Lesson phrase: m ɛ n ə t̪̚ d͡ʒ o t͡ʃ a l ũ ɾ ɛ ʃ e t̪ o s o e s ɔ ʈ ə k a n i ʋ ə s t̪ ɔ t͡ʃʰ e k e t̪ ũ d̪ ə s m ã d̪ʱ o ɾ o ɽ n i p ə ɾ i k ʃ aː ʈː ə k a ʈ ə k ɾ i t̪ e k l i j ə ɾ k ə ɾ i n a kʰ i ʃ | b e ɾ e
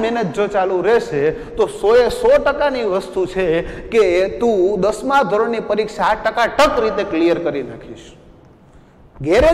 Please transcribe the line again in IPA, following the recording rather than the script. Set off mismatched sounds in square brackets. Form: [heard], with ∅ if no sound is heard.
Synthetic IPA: m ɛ n ə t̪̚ d͡ʒ o t͡ʃ a l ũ ɾ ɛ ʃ e t̪ o s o e s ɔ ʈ ə k a n i ʋ ə s t̪ [u] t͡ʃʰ e k e t̪ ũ d̪ ə s m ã d̪ʱ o ɾ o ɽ n i p ə ɾ i k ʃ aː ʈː ə k a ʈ ə k ɾ i t̪ e k l i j ə ɾ k ə ɾ i n a kʰ i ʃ | [ɡ] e ɾ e

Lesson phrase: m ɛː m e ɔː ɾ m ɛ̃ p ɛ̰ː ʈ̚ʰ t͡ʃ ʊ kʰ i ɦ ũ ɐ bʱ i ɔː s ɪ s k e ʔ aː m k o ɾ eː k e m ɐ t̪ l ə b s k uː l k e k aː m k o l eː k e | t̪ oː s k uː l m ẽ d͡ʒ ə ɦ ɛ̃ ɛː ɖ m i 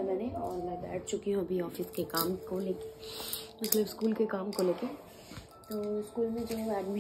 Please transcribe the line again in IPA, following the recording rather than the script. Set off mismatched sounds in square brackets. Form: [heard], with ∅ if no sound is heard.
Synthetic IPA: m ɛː [n] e ɔː ɾ m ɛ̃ [b] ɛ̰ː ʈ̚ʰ t͡ʃ ʊ [k] i ɦ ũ ɐ bʱ i ɔː [f] ɪ s k e [k] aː m k o [l] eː k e m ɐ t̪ l ə b s k uː l k e k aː m k o l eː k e | t̪ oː s k uː l m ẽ d͡ʒ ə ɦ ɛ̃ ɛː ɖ m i

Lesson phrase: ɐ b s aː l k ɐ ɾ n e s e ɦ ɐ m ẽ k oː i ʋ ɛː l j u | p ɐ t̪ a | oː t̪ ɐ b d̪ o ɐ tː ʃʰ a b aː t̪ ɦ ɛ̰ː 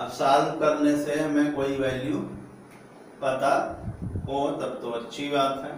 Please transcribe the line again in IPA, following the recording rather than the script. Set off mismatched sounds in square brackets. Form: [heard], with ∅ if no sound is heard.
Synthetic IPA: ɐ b s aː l k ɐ ɾ n e s e ɦ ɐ m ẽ k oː i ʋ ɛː l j u | p ɐ t̪ a | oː t̪ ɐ b [t̪] o ɐ tː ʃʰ [i] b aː t̪ ɦ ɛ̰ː

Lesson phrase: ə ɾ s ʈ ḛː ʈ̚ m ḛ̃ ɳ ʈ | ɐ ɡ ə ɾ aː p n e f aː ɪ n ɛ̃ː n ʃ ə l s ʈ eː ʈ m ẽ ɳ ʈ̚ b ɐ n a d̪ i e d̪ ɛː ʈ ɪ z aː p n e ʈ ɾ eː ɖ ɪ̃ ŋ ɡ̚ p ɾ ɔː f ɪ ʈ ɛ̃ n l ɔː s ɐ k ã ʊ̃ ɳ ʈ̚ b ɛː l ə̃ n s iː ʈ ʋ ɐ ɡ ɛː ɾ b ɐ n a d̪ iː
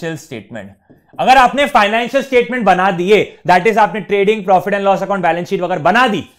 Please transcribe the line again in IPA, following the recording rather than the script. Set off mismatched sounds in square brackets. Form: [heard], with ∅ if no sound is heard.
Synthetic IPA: ə [l] s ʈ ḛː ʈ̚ m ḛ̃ ɳ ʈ | ɐ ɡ ə ɾ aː p n e f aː ɪ n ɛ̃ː n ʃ ə l s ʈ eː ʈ m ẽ ɳ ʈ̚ b ɐ n a d̪ i e d̪ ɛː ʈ ɪ z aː p n e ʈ ɾ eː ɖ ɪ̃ ŋ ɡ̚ p ɾ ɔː f ɪ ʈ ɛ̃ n l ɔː s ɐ k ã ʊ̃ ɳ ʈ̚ b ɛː l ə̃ n s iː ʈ ʋ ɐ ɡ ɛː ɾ b ɐ n a d̪ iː

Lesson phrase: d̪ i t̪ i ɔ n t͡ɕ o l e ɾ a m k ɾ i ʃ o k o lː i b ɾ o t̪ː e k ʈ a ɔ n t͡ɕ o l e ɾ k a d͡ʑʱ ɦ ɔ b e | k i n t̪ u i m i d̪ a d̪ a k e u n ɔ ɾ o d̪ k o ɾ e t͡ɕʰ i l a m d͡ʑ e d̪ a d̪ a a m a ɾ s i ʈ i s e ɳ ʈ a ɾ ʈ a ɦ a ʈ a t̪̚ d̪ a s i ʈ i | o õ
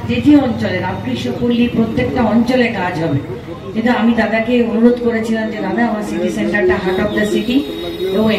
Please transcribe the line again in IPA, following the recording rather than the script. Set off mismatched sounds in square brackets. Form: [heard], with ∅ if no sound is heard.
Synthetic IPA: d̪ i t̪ i ɔ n t͡ɕ o l e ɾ a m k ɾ i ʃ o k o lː i [p] ɾ o t̪ː e k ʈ a ɔ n t͡ɕ o l e ɾ k a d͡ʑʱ ɦ ɔ b e | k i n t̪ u [a] m i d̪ a d̪ a k e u n [u] ɾ o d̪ k o ɾ e t͡ɕʰ i l a m d͡ʑ e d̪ a d̪ a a m a ɾ s i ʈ i s e ɳ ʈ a ɾ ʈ a ɦ a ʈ a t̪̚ d̪ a s i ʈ i | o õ

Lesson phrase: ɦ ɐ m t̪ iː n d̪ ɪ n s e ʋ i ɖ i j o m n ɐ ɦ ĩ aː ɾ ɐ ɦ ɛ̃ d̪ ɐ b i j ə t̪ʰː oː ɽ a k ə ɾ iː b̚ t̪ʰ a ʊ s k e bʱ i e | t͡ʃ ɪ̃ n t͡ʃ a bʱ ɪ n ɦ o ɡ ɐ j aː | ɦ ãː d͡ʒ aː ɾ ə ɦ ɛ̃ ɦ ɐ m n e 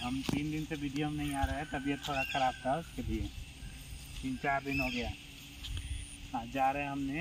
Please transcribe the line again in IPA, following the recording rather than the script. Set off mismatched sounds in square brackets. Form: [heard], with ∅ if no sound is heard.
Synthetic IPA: ɦ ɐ m t̪ iː n d̪ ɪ n s e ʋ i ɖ i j o m n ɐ ɦ ĩ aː ɾ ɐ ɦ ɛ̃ [t̪] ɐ b i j ə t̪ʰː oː ɽ a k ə ɾ [aː] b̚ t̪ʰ a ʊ s k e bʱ i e | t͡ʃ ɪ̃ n t͡ʃ a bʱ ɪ n ɦ o ɡ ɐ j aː | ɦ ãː d͡ʒ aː ɾ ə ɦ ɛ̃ ɦ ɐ m n e

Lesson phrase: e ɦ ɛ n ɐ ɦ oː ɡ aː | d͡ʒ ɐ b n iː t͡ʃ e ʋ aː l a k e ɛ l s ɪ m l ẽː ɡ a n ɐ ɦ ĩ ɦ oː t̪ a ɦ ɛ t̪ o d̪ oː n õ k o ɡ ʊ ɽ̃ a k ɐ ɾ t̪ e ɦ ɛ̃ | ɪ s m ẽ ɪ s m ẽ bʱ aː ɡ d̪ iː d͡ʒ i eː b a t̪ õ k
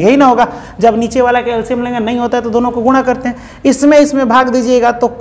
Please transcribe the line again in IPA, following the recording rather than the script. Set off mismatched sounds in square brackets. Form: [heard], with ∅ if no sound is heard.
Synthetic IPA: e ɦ [i] n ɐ ɦ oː ɡ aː | d͡ʒ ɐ b n iː t͡ʃ e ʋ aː l a k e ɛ l s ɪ m l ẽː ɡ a n ɐ ɦ ĩ ɦ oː t̪ a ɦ ɛ t̪ o d̪ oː n õ k o ɡ ʊ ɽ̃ a k ɐ ɾ t̪ e ɦ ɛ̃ | ɪ s m ẽ ɪ s m ẽ bʱ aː ɡ d̪ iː d͡ʒ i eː [ɡ] a t̪ [o] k

